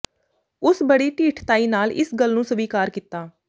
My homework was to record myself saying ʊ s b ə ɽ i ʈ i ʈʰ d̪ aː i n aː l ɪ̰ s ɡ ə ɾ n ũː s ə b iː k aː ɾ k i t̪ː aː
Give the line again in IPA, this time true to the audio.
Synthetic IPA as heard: ʊ s b ə ɽ iː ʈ iː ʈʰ t̪ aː iː n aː l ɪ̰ s ɡ ə l n ũː s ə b iː k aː ɾ k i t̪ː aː